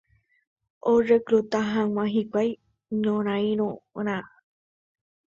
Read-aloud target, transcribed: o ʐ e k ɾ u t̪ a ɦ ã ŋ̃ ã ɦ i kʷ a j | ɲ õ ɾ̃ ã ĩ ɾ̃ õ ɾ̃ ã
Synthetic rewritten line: o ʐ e k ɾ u t̪ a ɦ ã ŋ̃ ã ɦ i kʷ a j | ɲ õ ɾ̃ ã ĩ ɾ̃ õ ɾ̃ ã